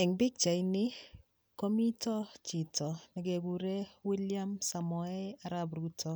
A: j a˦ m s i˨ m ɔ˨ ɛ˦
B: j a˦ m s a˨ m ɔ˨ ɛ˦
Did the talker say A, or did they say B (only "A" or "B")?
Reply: B